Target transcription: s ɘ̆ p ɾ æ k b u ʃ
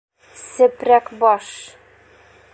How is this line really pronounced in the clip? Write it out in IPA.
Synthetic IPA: s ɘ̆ p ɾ æ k b ɒ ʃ